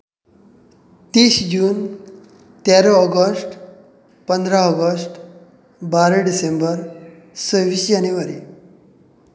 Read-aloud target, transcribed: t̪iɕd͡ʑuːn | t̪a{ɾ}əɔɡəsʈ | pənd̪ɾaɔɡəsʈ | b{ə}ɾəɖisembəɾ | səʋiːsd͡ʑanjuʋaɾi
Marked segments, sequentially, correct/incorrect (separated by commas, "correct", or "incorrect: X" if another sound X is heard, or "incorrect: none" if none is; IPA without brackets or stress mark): correct, incorrect: a